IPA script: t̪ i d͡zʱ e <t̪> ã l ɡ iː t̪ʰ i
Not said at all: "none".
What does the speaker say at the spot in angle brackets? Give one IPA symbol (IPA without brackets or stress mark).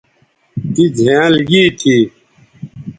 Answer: none